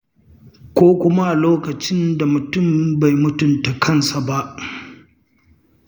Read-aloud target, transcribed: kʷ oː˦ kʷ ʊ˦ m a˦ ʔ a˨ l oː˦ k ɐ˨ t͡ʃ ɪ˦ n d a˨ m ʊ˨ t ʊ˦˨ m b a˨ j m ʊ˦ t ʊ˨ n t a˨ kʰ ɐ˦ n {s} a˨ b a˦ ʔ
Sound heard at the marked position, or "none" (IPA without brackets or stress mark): s